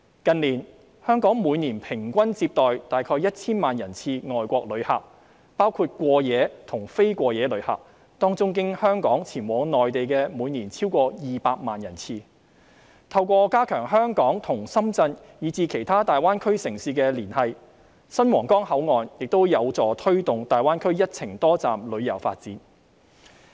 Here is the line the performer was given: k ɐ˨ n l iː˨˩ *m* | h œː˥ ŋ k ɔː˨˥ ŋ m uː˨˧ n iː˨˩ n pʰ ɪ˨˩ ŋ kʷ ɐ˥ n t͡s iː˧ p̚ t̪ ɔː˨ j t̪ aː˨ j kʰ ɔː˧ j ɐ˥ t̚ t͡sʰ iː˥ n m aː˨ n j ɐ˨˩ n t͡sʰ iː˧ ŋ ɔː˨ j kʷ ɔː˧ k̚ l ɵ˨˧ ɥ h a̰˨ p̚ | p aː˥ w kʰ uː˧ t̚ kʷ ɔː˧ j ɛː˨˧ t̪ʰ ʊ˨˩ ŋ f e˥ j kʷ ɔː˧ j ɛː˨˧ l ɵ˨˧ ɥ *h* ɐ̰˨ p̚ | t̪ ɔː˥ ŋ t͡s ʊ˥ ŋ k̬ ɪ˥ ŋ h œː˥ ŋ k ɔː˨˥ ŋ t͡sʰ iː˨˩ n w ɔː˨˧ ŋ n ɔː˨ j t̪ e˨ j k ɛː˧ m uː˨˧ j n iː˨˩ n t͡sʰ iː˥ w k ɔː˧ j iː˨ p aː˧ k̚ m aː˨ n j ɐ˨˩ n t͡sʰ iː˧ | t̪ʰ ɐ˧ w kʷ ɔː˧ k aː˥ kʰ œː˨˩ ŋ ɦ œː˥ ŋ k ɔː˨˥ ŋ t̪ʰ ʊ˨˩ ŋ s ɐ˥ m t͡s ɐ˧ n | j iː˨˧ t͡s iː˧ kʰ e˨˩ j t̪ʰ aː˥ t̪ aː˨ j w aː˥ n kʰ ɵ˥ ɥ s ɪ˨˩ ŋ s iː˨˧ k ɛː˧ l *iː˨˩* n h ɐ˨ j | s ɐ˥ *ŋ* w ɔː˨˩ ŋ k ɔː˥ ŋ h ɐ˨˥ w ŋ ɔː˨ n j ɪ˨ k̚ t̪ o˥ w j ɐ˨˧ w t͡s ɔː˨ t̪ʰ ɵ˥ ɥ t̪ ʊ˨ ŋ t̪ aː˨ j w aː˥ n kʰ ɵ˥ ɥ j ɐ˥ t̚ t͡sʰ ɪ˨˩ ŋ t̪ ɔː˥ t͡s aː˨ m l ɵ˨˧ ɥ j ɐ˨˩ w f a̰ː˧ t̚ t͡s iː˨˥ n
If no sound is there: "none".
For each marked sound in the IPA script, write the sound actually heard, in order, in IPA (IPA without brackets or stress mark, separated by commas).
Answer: n, h, iː˨˩, n